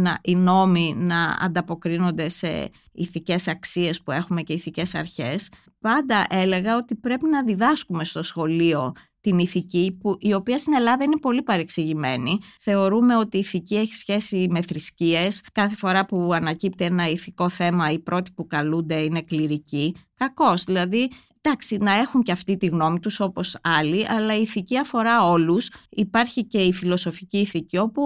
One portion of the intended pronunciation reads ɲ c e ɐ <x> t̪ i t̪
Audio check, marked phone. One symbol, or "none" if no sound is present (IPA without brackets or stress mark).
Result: f